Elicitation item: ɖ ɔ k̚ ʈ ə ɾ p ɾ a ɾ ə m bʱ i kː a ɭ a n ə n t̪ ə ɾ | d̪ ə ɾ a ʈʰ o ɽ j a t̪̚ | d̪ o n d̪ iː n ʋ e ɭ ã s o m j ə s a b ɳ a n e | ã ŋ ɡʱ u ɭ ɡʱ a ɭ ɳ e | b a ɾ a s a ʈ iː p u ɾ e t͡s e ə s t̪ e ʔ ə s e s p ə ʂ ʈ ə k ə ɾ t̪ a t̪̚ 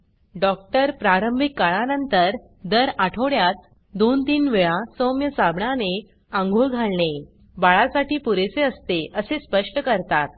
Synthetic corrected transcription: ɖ ɔ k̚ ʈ ə ɾ p ɾ a ɾ ə m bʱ i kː a ɭ a n ə n t̪ ə ɾ | d̪ ə ɾ a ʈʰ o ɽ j a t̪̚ | d̪ o n t̪ iː n ʋ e ɭ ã s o m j ə s a b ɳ a n e | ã ŋ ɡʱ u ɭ ɡʱ a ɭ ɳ e | b a ɭ a s a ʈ iː p u ɾ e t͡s e ə s t̪ e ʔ ə s e s p ə ʂ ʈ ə k ə ɾ t̪ a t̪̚